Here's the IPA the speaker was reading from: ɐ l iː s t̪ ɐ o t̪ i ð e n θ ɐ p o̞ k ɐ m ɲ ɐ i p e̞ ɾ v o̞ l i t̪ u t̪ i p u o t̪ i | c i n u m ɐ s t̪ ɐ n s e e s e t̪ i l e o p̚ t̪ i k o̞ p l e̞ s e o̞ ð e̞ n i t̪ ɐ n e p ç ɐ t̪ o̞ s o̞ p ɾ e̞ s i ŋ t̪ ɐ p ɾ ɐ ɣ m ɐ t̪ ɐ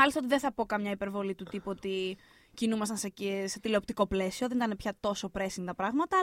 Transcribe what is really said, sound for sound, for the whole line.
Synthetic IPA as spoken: ɐ l i s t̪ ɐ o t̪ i ð e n θ ɐ p o̞ k ɐ m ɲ ɐ i p e̞ ɾ v o̞ l i t̪ u t̪ i p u o t̪ i | c i n u m ɐ s t̪ ɐ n s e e s e t̪ i l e o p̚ t̪ i k o̞ p l e̞ s i o̞ ð e̞ n i t̪ ɐ n e p ç ɐ t̪ o̞ s o̞ p ɾ e̞ s i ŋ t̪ ɐ p ɾ ɐ ɣ m ɐ t̪ ɐ